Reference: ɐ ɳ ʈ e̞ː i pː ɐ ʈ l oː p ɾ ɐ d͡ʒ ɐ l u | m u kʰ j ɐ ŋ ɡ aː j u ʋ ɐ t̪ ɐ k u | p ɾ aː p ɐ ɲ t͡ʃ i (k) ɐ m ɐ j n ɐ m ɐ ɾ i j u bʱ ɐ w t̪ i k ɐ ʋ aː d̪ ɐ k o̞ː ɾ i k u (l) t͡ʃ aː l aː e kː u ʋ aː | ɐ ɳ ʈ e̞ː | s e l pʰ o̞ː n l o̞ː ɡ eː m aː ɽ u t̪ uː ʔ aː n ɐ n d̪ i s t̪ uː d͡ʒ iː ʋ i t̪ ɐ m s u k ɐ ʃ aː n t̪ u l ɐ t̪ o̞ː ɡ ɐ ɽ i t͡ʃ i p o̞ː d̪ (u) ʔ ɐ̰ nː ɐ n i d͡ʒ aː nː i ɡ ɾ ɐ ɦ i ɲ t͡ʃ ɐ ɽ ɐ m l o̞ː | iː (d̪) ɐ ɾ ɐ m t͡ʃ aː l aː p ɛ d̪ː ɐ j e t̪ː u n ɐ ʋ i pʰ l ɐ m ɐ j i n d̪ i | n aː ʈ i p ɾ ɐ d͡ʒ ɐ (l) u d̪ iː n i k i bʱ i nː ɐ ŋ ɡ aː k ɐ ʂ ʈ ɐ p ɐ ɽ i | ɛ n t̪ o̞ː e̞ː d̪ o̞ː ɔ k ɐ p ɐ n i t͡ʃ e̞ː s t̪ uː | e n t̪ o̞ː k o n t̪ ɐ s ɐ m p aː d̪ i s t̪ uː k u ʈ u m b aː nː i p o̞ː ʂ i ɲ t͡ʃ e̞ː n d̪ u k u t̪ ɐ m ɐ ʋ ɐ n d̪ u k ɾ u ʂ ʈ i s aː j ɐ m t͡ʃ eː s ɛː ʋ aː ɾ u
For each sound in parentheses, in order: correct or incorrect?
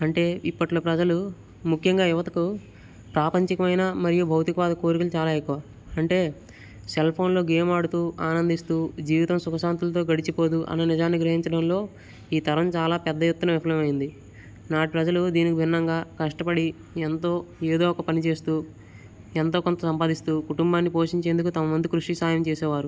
correct, correct, correct, incorrect, correct

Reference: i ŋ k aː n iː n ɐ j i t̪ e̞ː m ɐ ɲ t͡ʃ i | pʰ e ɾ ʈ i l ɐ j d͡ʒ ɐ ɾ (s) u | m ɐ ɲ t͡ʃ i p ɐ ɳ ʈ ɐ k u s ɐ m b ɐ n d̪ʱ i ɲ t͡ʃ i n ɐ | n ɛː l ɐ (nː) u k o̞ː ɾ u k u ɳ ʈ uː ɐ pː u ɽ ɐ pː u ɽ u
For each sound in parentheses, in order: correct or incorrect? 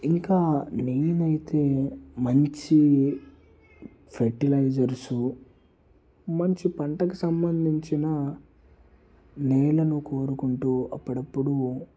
correct, incorrect

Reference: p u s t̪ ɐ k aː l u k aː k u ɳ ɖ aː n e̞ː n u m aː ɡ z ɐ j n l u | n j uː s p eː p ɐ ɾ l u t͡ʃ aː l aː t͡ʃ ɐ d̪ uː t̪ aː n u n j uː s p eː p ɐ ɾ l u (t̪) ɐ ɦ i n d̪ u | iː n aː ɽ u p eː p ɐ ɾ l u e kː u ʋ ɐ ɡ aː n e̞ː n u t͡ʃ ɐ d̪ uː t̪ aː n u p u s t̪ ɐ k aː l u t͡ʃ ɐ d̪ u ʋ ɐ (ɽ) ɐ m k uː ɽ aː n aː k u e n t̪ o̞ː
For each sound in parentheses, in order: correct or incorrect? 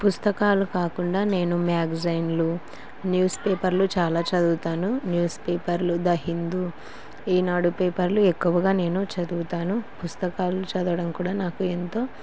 incorrect, correct

